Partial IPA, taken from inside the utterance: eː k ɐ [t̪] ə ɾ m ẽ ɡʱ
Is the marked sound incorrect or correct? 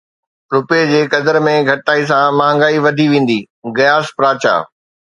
incorrect